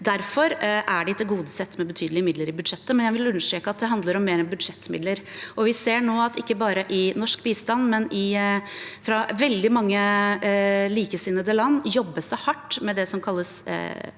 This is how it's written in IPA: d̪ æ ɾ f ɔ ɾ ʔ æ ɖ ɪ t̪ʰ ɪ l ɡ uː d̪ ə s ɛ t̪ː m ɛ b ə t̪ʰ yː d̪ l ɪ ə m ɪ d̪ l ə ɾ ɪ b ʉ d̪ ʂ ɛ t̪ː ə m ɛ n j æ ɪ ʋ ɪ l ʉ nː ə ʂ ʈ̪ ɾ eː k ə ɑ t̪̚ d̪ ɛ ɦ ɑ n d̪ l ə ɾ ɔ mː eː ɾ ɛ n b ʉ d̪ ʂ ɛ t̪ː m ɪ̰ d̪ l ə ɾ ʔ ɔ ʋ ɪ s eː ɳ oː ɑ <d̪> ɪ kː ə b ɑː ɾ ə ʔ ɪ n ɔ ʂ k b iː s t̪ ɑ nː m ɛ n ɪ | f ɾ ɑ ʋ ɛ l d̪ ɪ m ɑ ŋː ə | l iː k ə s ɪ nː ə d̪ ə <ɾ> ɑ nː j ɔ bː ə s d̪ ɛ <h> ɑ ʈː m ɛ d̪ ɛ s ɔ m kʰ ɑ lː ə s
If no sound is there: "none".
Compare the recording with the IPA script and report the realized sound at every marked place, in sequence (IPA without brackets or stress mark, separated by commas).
t̪, l, h